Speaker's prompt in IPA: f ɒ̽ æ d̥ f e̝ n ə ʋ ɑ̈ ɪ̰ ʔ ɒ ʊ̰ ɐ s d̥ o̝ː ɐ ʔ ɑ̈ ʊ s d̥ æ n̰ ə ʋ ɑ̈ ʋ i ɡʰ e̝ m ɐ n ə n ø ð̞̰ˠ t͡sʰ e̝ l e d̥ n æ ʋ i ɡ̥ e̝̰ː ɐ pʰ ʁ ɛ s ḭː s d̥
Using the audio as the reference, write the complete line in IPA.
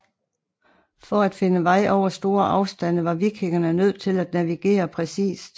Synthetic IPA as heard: f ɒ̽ æ d̥ f e̝ n ə ʋ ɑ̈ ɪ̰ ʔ ɒ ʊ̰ ɐ s d̥ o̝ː ɐ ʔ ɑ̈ ʊ s d̥ æ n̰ ə ʋ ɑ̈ ʋ i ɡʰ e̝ ŋ ɐ n ə n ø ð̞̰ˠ t͡sʰ e̝ l æ d̥ n æ ʋ i ɡ̥ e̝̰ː ɐ pʰ ʁ ɛ s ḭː s d̥